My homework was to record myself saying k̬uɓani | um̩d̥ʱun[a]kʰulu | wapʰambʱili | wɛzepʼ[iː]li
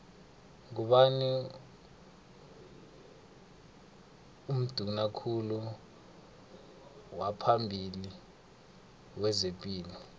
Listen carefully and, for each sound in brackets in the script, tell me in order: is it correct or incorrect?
correct, correct

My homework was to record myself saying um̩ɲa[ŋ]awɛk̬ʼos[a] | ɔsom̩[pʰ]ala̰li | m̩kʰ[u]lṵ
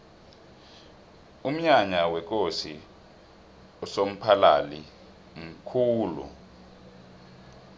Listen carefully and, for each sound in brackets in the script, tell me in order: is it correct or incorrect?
incorrect: ɲ, incorrect: i, correct, incorrect: uː

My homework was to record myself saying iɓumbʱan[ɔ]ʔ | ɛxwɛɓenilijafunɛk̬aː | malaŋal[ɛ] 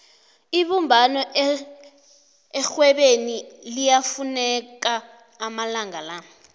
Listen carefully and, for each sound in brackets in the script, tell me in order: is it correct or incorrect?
correct, incorrect: a

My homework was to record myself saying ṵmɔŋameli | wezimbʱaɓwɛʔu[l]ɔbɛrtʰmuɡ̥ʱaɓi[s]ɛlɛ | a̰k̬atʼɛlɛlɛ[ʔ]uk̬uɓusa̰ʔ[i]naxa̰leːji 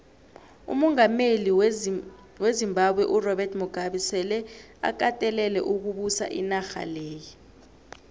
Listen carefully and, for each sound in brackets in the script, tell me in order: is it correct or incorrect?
incorrect: r, correct, correct, correct

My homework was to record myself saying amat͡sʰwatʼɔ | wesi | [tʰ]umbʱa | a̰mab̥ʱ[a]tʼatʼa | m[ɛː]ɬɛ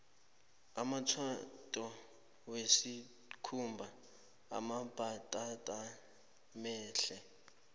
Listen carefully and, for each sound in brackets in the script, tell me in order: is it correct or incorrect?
incorrect: kʰ, correct, correct

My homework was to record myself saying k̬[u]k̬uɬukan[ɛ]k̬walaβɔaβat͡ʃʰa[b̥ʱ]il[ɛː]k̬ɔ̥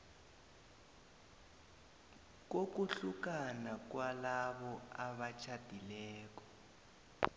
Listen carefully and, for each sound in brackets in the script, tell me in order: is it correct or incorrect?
incorrect: o, incorrect: a, incorrect: d̥ʱ, correct

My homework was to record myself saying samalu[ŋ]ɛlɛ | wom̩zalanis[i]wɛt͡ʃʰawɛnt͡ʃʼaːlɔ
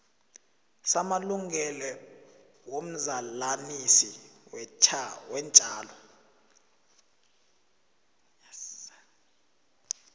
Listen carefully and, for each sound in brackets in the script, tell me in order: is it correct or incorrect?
correct, correct

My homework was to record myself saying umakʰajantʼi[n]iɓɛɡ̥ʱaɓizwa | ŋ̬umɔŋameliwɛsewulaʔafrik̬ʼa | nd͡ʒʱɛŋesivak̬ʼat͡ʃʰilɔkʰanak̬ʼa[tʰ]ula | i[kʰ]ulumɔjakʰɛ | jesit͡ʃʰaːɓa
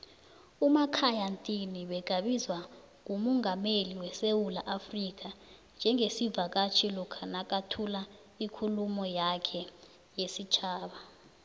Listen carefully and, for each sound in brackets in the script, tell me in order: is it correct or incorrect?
correct, correct, correct

